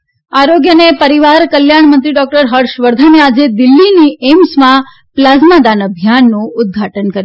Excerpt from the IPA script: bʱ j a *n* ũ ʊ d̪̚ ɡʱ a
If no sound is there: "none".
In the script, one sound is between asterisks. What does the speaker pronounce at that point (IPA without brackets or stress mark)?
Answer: nː